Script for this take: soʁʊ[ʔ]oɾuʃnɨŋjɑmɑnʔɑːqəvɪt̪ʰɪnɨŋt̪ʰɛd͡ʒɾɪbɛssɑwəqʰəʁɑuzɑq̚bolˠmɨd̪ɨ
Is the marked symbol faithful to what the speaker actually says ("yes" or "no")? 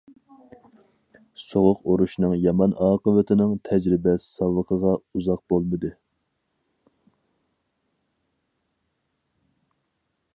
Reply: no